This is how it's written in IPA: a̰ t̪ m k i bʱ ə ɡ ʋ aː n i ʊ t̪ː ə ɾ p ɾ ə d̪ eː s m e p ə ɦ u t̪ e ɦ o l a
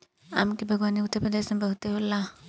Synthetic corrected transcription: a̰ m k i bʱ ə ɡ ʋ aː n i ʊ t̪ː ə ɾ p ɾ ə d̪ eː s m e b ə ɦ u t̪ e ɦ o l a